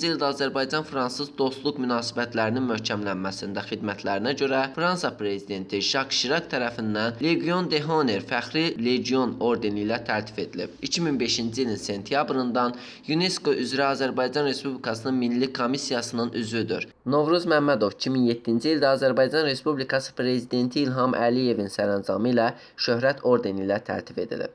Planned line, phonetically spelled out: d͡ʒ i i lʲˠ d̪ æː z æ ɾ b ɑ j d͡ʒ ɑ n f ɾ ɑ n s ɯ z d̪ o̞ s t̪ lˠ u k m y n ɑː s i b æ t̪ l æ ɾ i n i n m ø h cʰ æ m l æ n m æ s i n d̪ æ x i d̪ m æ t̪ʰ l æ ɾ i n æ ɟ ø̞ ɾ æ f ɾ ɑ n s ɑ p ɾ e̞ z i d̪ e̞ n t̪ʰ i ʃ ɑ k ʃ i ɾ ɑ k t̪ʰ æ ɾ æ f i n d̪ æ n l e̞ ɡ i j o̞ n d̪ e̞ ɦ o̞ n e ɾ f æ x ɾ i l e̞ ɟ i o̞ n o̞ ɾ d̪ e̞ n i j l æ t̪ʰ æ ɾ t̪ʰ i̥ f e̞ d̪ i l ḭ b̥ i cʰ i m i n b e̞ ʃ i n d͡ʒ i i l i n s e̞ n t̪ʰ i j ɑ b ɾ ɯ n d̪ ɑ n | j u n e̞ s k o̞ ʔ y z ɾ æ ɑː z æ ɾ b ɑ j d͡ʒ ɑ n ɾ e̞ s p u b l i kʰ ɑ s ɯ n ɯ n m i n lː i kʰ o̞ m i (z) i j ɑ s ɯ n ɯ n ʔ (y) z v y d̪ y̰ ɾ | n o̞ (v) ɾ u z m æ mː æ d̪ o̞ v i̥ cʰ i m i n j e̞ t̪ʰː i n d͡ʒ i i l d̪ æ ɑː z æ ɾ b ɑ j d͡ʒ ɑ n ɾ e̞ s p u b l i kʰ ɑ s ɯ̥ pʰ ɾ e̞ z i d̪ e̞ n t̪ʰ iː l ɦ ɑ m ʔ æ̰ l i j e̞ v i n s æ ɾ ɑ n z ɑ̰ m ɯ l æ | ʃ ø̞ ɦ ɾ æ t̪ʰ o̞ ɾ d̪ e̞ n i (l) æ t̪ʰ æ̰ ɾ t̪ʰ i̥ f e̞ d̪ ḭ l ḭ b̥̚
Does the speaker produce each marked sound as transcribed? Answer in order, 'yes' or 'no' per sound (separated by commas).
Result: no, yes, yes, yes